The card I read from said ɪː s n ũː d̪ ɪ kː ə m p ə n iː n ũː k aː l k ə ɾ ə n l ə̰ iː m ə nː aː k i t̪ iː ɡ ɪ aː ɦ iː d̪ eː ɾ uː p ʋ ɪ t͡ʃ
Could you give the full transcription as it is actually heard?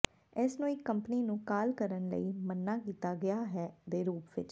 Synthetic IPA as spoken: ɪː s n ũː ɪ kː ə m p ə n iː n ũː k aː l k ə ɾ ə n l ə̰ iː m ə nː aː k iː t̪ aː ɡ ɪ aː ɦ ɛː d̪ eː ɾ uː p ʋ ɪ t͡ʃ